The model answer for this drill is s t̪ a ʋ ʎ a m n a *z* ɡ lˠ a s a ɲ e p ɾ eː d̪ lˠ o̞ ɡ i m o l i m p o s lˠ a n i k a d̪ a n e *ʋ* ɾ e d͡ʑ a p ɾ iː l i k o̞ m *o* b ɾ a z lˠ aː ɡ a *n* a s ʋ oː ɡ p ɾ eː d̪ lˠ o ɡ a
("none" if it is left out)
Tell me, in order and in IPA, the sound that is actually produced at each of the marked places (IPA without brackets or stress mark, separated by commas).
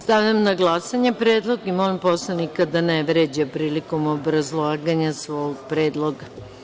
none, ʋ, o, ɲ